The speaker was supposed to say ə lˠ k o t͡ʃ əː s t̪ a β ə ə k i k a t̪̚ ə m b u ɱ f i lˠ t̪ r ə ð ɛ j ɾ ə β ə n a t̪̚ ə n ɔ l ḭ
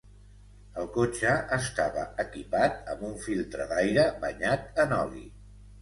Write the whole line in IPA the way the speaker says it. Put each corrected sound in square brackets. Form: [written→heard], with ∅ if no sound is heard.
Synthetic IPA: ə lˠ k o t͡ʃ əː s t̪ a β ə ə k i [k→p] a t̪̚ ə m b u ɱ f i lˠ t̪ [r→ɾ] ə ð [ɛ→a] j ɾ ə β ə [n→ɲ] a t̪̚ ə n ɔ l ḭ